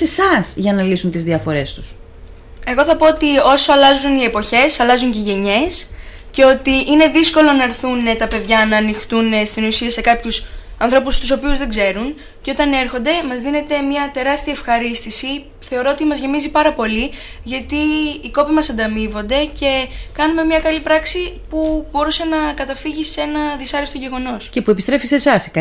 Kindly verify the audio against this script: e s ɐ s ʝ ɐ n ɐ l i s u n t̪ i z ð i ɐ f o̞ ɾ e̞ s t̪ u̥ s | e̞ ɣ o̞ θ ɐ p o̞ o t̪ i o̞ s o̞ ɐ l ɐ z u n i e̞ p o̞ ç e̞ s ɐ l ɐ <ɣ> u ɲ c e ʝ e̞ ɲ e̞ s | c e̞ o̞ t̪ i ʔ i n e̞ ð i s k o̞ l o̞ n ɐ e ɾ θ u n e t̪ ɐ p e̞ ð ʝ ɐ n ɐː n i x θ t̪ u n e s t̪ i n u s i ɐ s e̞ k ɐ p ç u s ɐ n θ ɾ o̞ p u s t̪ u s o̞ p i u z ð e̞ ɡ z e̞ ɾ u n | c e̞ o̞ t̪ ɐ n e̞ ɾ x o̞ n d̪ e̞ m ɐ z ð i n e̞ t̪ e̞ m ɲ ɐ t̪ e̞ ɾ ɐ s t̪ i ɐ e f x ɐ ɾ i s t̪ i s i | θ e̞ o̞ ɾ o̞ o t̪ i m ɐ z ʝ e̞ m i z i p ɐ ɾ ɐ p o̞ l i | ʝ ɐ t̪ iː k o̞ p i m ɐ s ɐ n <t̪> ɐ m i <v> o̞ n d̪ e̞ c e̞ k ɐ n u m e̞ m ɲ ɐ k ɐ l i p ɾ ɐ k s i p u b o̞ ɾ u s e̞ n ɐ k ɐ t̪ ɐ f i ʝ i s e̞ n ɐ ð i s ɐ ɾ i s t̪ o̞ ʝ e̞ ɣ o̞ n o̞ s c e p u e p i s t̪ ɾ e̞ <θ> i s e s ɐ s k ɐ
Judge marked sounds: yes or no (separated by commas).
no, no, yes, no